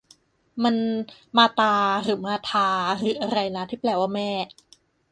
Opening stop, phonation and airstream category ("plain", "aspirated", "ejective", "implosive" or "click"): plain